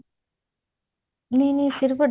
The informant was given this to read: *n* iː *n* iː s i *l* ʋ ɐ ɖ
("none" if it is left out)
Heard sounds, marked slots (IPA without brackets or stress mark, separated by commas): n, n, ɾ